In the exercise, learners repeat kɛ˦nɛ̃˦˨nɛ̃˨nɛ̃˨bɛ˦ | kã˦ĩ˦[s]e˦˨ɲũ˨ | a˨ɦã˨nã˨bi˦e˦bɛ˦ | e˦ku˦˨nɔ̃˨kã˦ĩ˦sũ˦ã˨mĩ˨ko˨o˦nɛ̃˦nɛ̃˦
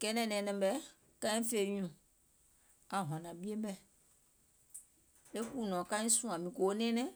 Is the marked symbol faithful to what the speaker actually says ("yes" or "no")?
no